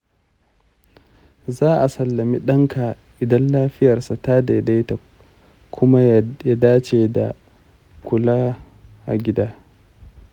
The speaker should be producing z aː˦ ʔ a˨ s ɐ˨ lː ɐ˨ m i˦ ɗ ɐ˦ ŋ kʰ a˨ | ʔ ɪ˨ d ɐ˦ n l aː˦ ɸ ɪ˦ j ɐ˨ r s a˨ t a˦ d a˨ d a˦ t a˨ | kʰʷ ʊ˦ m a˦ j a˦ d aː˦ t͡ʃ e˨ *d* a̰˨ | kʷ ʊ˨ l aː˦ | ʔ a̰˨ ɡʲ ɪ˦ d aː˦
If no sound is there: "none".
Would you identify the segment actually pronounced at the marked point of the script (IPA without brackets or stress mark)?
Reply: d